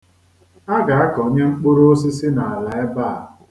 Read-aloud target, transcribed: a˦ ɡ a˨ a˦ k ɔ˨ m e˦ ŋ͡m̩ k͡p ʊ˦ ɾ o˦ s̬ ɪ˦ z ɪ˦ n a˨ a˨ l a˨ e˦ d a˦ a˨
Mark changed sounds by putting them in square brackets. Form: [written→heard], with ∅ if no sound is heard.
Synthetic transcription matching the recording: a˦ ɡ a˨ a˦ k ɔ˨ [m→ɲ] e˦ ŋ͡m̩ k͡p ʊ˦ ɾ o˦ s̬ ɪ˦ [z→s] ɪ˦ n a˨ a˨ l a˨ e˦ [d→b] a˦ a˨